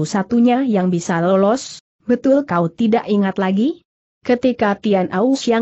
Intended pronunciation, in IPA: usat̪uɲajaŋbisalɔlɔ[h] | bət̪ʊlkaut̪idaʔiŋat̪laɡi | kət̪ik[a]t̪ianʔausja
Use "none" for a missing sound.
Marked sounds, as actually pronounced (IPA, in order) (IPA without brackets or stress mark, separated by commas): s, a